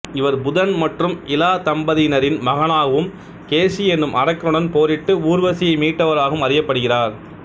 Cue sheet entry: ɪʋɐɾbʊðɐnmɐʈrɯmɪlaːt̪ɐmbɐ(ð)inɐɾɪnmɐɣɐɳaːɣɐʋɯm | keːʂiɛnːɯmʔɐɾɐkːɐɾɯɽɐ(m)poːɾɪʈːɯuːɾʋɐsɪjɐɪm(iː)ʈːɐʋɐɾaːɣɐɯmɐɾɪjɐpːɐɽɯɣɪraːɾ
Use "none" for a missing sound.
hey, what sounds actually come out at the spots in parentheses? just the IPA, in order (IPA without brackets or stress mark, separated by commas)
ð, n, iː